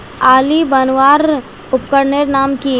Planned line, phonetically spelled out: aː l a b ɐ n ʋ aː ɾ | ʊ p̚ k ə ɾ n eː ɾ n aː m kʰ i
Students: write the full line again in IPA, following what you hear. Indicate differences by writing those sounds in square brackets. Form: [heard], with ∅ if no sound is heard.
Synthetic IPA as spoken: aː l [i] b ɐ n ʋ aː ɾ | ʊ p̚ k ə ɾ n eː ɾ n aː m [k] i